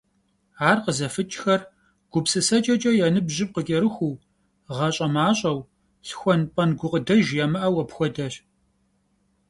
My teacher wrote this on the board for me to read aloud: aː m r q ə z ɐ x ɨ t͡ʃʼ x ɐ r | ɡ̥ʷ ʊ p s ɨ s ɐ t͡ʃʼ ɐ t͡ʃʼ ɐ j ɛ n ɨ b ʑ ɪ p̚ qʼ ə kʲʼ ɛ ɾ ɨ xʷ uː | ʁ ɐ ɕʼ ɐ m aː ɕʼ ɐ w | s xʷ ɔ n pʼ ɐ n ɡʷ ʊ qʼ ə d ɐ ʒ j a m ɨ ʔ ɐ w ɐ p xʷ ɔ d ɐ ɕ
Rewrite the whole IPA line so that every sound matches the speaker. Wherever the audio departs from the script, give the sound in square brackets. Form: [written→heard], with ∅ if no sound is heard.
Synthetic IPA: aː [m→∅] r q ə z ɐ [x→f] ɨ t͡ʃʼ x ɐ r | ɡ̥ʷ ʊ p s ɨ s ɐ t͡ʃʼ ɐ t͡ʃʼ ɐ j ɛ n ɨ b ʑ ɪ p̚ [qʼ→q] ə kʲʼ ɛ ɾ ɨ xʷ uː | ʁ ɐ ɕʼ ɐ m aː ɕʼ ɐ w | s xʷ ɔ n pʼ ɐ n ɡʷ ʊ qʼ ə d ɐ ʒ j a m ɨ ʔ ɐ w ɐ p xʷ ɔ d ɐ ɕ

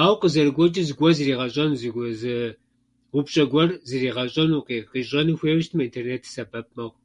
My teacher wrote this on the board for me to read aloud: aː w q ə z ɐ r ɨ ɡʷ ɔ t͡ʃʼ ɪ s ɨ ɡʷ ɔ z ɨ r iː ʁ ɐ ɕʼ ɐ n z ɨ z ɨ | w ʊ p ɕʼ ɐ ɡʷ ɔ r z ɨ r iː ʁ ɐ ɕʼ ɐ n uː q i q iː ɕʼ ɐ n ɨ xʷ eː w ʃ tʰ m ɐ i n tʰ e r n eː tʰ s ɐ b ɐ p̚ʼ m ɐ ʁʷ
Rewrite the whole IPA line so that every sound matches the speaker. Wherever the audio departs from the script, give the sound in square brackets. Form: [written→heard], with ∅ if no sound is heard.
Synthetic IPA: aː w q ə z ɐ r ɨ ɡʷ ɔ t͡ʃʼ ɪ [s→z] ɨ ɡʷ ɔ z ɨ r iː ʁ ɐ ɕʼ ɐ n z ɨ z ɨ | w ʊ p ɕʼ ɐ ɡʷ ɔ r z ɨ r iː ʁ ɐ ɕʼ ɐ n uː q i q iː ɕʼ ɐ n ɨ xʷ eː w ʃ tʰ m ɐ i n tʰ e r n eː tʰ s ɐ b ɐ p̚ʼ m ɐ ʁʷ

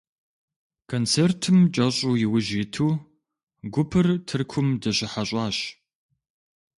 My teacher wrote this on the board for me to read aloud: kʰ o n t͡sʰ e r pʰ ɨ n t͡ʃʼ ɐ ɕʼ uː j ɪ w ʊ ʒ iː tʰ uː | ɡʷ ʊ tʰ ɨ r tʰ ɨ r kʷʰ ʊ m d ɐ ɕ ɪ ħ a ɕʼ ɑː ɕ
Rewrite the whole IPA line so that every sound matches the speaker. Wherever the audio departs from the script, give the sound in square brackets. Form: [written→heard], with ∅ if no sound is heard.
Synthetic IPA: kʰ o n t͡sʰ e r [pʰ→tʰ] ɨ [n→m] t͡ʃʼ ɐ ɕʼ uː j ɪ w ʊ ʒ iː tʰ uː | ɡʷ ʊ [tʰ→pʰ] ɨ r tʰ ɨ r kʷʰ ʊ m d ɐ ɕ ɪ ħ a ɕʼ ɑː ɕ

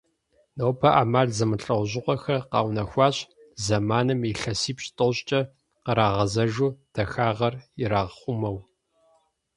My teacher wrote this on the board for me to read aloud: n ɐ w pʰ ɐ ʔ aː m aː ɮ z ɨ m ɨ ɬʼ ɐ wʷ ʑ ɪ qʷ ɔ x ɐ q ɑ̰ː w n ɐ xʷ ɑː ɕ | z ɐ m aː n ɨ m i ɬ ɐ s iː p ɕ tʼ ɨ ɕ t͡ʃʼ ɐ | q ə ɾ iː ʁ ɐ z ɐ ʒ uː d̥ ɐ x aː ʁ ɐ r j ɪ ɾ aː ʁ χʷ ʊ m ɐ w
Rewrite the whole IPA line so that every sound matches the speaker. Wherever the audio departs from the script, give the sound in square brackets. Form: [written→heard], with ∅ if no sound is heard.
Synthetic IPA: n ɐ w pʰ ɐ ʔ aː m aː ɮ z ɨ m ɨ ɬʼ ɐ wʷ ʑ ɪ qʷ ɔ x ɐ q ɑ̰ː w n ɐ xʷ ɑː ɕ | z ɐ m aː n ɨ m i ɬ ɐ s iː p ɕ tʼ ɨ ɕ t͡ʃʼ ɐ | q ə ɾ [iː→aː] ʁ ɐ z ɐ ʒ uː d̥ ɐ x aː ʁ ɐ r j ɪ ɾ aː ʁ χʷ ʊ m ɐ w

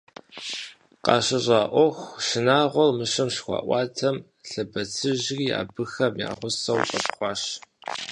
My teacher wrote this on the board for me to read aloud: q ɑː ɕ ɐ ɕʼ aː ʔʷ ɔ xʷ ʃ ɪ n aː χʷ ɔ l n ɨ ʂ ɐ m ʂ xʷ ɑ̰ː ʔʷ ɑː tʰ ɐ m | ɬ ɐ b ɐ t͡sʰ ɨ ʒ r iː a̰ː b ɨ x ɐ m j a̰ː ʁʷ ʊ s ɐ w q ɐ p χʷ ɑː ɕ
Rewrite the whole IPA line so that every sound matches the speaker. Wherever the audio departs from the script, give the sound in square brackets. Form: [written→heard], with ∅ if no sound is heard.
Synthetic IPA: q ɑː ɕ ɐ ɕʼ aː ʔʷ ɔ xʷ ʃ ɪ n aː [χʷ→ʁʷ] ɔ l [n→m] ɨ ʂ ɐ m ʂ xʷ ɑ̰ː ʔʷ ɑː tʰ ɐ m | ɬ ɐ b ɐ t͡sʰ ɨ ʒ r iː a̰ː b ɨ x ɐ m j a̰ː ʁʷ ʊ s ɐ w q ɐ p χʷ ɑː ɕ

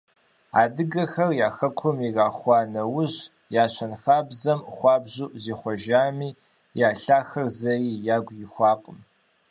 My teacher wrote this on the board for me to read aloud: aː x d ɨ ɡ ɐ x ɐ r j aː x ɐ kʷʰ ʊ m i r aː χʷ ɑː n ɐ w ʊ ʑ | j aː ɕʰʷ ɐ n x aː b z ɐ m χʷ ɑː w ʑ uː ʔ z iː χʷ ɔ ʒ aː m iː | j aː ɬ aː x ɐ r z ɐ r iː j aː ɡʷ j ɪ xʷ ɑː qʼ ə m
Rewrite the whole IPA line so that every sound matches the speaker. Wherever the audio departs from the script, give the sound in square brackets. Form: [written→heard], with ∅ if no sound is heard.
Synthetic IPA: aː [x→∅] d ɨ ɡ ɐ x ɐ r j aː x ɐ kʷʰ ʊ m i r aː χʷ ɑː n ɐ w ʊ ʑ | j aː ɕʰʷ ɐ n x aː b z ɐ m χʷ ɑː [w→b] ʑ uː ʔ z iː χʷ ɔ ʒ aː m iː | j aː ɬ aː x ɐ r z ɐ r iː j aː ɡʷ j ɪ xʷ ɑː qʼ ə m

